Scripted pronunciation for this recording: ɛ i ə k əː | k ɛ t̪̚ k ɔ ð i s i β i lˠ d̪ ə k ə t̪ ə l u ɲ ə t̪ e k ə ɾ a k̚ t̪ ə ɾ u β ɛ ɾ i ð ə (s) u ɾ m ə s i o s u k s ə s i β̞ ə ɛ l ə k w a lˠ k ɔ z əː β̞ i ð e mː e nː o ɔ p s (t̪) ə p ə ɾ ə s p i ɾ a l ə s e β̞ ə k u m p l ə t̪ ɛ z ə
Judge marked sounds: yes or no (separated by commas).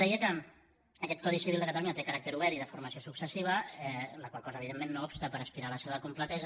no, yes